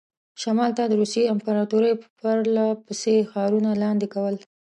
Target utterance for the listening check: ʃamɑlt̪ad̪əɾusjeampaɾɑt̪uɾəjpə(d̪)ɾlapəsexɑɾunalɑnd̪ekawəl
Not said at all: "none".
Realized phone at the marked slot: none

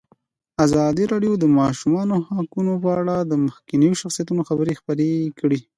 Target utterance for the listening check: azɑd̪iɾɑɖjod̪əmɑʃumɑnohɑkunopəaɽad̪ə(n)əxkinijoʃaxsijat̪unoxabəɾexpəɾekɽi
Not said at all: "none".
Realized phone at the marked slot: m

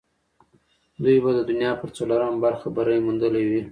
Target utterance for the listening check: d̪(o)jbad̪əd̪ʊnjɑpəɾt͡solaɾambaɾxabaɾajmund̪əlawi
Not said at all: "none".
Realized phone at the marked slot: u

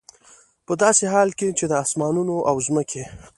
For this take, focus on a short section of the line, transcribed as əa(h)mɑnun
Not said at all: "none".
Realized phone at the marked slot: s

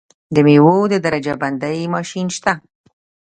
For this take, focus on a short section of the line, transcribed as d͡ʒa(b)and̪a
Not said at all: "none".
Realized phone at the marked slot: b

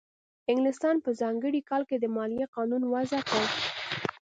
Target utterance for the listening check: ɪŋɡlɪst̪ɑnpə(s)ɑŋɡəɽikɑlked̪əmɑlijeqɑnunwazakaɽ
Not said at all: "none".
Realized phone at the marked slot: z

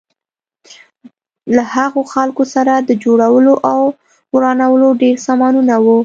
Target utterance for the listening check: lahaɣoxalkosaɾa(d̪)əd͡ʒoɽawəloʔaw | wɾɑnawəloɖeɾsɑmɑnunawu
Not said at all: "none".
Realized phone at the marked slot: d̪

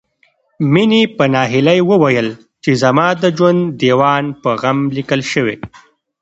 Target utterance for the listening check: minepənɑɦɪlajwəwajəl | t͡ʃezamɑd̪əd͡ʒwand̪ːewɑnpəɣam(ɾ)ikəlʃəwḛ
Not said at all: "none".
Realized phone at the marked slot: l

